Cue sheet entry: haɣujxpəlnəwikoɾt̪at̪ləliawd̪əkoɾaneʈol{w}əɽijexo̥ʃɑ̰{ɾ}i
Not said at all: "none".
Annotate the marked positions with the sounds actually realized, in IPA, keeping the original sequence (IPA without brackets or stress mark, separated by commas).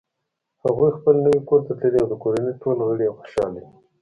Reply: ɣ, l